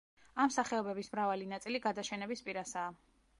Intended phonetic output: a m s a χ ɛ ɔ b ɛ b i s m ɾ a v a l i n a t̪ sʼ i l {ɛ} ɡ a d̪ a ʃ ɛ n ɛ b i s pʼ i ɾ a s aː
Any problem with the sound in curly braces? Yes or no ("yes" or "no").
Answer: yes